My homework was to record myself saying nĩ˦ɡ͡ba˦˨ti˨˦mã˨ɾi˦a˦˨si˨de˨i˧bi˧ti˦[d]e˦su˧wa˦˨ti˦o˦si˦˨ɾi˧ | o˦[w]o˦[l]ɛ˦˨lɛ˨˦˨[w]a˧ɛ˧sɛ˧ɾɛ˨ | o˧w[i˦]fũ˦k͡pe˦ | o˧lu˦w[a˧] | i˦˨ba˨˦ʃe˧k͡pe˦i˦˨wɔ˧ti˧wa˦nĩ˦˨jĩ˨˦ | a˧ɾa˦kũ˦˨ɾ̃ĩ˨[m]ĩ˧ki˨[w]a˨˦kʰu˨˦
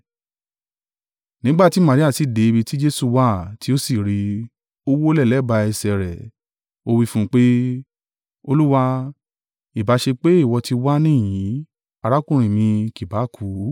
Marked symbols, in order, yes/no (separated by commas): no, yes, yes, no, yes, yes, yes, no